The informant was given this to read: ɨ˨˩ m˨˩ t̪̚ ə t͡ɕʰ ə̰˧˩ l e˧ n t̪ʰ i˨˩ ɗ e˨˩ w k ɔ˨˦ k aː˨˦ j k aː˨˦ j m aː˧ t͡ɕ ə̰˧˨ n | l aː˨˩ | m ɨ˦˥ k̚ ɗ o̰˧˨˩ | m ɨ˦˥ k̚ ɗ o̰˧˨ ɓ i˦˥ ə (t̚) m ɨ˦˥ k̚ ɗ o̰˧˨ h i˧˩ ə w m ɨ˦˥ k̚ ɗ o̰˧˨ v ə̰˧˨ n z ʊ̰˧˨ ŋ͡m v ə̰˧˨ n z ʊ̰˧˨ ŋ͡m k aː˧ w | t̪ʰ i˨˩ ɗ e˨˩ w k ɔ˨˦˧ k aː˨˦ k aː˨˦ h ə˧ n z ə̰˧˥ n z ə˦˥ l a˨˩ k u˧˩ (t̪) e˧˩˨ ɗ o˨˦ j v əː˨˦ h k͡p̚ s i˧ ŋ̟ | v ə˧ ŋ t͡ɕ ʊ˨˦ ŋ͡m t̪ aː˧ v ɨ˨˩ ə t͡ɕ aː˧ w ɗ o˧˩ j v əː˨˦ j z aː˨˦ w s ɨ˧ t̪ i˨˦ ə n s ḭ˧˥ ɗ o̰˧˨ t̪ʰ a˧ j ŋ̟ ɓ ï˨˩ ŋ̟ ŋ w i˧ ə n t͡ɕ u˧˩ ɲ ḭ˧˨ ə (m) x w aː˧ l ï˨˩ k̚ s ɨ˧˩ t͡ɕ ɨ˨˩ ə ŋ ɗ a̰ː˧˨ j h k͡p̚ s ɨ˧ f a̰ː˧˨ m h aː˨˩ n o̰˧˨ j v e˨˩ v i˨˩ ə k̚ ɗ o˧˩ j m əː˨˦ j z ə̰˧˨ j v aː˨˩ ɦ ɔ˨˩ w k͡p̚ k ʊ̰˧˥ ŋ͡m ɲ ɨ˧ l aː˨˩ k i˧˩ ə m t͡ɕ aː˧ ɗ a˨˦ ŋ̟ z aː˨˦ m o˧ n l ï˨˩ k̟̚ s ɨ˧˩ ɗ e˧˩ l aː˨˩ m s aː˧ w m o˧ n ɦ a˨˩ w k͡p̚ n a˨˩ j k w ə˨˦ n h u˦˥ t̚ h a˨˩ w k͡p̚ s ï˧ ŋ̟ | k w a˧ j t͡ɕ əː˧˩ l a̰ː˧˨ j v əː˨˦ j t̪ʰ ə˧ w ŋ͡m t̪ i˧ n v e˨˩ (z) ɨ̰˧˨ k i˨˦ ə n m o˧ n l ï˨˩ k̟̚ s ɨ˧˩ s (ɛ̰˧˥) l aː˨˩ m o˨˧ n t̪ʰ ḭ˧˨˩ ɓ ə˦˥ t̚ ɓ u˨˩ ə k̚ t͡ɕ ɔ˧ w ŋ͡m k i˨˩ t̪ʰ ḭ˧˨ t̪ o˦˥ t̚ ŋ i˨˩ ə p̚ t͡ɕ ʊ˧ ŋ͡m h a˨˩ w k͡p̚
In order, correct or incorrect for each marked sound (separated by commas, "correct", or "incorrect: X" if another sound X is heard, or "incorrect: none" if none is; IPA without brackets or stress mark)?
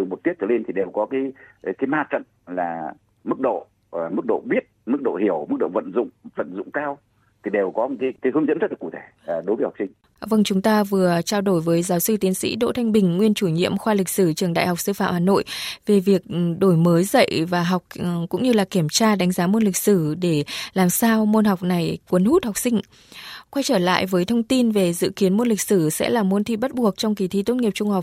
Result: correct, incorrect: t̪ʰ, correct, correct, correct